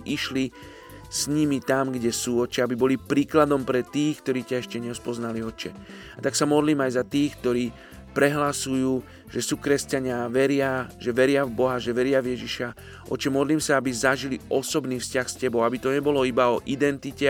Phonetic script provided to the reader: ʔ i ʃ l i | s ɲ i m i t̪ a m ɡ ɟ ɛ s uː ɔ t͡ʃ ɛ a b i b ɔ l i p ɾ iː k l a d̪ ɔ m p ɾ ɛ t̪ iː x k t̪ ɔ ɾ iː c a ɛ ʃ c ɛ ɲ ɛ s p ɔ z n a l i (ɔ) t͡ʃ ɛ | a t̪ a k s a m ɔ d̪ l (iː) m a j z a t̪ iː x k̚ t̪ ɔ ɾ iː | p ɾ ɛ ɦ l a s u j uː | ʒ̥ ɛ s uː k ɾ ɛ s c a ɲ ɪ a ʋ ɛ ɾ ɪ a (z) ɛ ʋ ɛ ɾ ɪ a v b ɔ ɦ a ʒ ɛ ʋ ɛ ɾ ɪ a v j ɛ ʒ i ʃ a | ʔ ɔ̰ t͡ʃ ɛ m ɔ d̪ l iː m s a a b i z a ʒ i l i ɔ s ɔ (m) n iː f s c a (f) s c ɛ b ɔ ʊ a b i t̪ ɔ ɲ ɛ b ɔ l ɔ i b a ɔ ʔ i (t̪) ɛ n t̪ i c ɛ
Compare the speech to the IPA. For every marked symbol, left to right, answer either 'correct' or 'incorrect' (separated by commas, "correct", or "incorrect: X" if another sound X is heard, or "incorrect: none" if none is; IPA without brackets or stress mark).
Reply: correct, correct, incorrect: ʒ, incorrect: b, incorrect: x, incorrect: d̪